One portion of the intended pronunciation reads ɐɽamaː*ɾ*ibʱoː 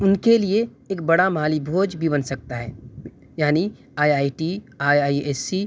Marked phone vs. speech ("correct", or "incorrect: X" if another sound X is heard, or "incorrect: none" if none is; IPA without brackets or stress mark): incorrect: l